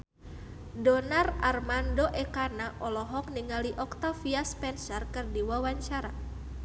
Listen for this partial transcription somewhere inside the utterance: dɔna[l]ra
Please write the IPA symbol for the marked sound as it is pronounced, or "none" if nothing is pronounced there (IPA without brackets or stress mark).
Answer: none